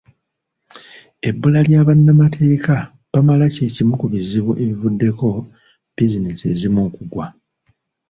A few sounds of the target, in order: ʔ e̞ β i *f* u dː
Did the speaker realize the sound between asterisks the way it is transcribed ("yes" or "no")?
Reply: no